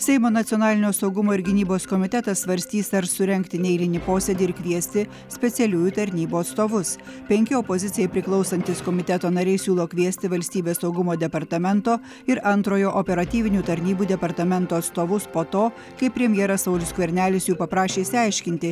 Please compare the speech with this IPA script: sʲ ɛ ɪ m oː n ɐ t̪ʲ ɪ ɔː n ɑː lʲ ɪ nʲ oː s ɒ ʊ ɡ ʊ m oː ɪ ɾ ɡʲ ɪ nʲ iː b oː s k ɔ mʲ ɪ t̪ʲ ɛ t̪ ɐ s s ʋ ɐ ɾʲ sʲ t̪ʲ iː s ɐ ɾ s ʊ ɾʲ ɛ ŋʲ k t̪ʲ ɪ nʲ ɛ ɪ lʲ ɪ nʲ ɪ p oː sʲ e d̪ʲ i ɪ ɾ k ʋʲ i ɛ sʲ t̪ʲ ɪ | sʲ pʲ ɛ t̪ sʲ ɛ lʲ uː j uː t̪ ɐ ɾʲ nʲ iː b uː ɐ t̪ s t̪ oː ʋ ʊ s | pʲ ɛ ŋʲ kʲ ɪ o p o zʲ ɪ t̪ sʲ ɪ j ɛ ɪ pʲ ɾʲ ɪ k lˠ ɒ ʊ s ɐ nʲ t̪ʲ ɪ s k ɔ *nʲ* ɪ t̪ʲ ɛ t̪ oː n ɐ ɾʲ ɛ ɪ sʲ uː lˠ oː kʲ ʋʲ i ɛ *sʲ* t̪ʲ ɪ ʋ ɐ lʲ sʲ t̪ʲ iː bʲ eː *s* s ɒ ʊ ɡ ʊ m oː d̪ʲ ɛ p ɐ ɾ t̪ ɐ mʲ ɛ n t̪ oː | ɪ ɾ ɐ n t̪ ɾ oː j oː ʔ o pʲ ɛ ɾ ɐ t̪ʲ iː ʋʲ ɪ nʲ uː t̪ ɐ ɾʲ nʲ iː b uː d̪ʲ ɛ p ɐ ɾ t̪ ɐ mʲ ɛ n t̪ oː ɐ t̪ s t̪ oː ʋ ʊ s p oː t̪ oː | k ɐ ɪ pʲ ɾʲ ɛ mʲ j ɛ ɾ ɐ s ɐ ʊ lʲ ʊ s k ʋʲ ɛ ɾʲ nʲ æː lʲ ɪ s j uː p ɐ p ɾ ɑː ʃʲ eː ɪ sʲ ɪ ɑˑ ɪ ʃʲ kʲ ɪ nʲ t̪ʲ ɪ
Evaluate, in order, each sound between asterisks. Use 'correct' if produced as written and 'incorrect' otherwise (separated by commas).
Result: incorrect, correct, correct